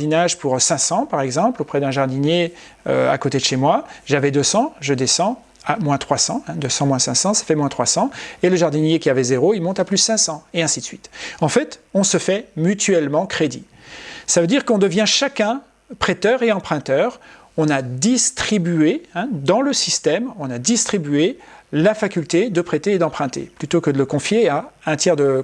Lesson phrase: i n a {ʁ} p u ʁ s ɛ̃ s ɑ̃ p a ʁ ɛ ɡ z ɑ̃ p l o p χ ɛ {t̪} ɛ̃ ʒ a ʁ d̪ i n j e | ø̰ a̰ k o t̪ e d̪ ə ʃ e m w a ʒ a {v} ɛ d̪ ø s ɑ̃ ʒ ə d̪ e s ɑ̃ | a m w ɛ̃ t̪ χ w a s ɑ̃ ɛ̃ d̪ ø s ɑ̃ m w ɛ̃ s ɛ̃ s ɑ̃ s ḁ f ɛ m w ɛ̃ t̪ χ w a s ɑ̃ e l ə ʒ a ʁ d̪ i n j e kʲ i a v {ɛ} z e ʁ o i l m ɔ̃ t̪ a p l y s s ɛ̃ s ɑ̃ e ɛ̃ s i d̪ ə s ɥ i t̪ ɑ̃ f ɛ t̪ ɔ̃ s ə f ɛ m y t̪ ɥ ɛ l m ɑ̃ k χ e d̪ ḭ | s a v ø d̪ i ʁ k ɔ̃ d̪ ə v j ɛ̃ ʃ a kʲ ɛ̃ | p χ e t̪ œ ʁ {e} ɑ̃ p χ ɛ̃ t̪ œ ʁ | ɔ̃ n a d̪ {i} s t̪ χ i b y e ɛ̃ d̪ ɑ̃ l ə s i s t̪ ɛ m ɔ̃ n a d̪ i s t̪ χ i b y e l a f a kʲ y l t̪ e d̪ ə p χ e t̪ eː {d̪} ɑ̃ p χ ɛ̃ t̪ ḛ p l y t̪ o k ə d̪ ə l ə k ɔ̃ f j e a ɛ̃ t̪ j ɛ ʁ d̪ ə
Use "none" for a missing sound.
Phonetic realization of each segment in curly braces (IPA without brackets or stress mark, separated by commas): ʒ, d̪, v, ɛ, e, i, d̪